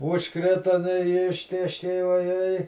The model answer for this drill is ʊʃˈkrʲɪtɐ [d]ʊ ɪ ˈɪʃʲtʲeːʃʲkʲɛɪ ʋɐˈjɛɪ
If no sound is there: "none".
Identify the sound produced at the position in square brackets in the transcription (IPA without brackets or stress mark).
n